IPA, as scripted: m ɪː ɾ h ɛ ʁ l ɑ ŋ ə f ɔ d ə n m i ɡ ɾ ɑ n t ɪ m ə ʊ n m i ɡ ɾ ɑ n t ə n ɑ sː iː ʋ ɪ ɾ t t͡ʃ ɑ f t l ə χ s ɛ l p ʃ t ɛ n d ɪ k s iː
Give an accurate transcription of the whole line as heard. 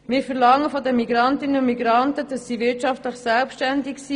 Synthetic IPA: m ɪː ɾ f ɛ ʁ l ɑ ŋ ə f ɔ d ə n m i ɡ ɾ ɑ n t ɪ n ə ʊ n m i ɡ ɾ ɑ n t ə d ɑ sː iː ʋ ɪ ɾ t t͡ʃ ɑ f t l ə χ s ɛ l p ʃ t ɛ n d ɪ k s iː